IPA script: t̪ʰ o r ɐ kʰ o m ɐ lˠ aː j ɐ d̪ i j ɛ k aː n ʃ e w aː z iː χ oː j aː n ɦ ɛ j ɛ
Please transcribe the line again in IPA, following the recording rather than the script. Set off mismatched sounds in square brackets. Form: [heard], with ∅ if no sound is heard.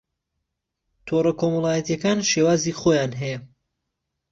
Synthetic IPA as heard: t̪ʰ o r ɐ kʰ o m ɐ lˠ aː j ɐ [t̪] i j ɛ k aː n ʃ e w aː z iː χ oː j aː n ɦ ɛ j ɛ